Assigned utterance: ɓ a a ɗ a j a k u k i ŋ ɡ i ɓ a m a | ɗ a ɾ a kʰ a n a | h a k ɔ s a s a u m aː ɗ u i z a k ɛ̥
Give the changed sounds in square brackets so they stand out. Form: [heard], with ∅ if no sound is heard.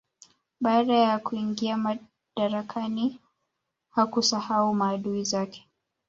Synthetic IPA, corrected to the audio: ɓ a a ɗ a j a k u [∅] i ŋ ɡ i [∅] a m a | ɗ a ɾ a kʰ a n [i] | h a k [u] s a [h] a u m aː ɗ u i z a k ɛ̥